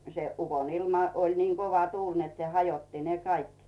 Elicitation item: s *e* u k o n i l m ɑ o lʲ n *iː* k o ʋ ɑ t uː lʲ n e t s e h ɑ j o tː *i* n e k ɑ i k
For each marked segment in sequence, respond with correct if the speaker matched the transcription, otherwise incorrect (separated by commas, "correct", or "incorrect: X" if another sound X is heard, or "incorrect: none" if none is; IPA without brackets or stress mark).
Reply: correct, correct, correct